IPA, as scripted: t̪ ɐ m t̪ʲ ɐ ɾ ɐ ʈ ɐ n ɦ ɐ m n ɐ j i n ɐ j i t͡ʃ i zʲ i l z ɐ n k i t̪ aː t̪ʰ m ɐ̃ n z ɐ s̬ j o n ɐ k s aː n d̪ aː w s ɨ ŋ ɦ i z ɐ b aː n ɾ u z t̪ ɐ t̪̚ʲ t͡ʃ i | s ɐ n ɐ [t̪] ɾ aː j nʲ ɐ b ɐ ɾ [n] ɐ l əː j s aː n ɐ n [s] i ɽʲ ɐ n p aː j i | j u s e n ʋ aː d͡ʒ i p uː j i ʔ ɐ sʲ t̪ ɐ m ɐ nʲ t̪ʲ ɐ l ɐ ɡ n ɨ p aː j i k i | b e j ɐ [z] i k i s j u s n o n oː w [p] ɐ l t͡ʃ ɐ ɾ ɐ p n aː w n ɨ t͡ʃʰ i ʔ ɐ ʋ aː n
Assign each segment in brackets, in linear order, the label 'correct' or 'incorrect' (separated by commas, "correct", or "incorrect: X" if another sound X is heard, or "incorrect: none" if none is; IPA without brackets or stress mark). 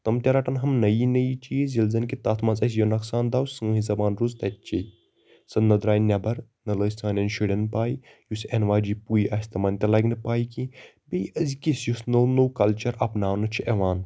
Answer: incorrect: d̪, correct, incorrect: ʃ, correct, incorrect: k